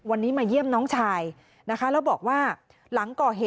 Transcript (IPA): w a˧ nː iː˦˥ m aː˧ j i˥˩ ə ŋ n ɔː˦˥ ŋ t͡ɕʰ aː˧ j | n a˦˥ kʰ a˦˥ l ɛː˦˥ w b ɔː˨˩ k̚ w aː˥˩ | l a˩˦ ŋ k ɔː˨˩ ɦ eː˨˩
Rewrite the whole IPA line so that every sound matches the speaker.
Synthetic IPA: w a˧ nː iː˦˥ m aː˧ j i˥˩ ə m n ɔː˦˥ ŋ t͡ɕʰ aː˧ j | n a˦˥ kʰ a˦˥ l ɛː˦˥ w b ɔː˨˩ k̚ w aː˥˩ | l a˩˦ ŋ k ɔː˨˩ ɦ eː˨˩